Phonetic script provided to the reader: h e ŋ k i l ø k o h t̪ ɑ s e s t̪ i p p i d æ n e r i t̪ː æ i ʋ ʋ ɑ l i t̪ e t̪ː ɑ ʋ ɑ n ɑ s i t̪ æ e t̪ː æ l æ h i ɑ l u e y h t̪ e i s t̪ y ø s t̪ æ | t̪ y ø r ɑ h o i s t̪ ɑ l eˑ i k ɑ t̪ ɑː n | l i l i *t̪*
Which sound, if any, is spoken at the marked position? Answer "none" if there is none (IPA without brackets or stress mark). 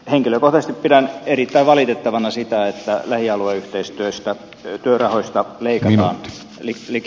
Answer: none